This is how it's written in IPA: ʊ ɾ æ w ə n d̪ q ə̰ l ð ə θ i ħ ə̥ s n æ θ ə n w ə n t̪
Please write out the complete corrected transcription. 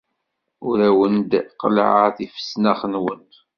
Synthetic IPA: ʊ ɾ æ w ə n d̪ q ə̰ l ʕ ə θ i f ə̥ s n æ χ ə n w ə n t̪